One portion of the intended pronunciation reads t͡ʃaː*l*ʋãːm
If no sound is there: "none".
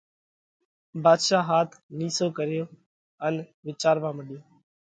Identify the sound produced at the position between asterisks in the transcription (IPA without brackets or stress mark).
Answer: ɾ